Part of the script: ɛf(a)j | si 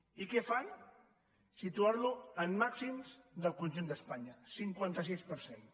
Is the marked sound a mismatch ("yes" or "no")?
no